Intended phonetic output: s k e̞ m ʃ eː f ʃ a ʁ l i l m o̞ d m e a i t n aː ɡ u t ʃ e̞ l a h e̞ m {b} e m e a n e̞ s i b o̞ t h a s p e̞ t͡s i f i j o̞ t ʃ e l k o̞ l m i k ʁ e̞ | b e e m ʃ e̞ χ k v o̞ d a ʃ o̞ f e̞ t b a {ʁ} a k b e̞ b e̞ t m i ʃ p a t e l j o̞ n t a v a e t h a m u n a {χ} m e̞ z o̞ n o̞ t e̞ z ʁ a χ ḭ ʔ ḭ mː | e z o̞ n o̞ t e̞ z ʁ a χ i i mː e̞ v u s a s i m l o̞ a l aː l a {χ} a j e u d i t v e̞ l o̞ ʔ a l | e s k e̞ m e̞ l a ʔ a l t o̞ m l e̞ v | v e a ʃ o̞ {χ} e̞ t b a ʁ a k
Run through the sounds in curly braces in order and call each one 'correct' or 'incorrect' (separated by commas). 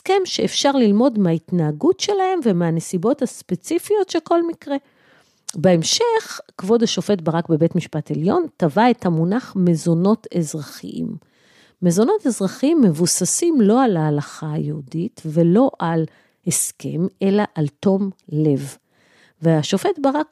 incorrect, correct, correct, correct, incorrect